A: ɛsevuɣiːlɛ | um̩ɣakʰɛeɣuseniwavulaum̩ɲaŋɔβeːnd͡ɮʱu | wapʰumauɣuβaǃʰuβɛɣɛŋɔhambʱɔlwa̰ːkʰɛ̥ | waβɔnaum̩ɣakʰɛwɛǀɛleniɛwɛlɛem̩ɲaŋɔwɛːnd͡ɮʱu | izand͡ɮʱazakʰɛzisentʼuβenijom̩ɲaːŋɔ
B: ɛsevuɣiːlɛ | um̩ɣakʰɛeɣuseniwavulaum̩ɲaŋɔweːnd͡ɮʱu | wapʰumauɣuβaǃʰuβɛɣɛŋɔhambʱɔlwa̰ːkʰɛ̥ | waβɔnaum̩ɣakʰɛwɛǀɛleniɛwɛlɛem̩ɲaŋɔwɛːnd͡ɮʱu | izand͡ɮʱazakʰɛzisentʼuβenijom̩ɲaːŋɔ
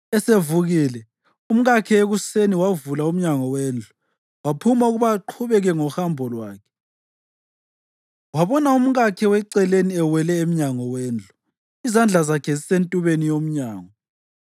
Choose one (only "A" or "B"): B